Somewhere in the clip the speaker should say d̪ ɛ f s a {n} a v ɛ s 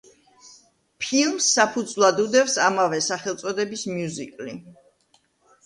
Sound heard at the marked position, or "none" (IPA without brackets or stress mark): m